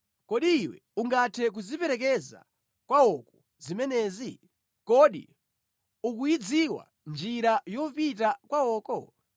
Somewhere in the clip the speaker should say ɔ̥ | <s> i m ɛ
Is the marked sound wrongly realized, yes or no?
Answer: yes